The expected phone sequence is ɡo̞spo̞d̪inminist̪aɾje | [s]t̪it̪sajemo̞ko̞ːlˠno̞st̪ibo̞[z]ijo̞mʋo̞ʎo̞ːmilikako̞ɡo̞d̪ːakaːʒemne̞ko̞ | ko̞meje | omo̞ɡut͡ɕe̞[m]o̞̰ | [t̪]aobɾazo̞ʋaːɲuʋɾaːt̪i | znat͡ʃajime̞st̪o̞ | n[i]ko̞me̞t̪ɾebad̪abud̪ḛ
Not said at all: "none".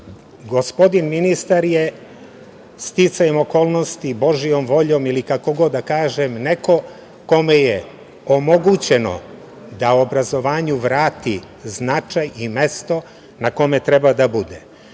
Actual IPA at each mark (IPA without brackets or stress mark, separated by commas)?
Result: s, ʒ, n, d̪, a